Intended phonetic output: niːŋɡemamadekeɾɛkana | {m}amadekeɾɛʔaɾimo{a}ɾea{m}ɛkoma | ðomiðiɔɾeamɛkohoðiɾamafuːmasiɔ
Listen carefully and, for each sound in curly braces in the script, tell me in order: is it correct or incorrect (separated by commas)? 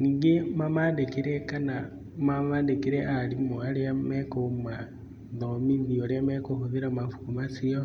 correct, correct, correct